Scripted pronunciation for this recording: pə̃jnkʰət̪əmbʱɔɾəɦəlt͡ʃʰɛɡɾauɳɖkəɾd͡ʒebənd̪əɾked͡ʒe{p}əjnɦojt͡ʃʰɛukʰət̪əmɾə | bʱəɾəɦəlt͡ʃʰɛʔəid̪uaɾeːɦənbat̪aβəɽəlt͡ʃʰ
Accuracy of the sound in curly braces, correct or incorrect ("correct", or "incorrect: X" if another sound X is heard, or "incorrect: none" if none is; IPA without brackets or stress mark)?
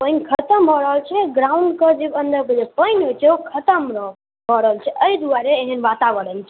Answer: correct